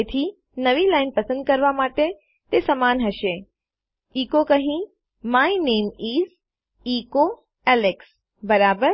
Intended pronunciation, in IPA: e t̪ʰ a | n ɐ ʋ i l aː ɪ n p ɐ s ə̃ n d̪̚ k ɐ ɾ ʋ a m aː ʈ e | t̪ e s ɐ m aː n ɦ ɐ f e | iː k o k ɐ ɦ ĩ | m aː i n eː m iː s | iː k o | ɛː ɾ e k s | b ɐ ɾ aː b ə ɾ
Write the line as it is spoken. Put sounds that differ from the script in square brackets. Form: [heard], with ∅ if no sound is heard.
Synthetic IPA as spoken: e t̪ʰ [i] | n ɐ ʋ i l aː ɪ n p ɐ s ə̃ n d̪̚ k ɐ ɾ ʋ a m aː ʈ e | t̪ e s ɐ m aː n ɦ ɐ [ʃ] e | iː k o k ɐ ɦ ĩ | m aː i n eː m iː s | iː k o | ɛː [l] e k s | b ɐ ɾ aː b ə ɾ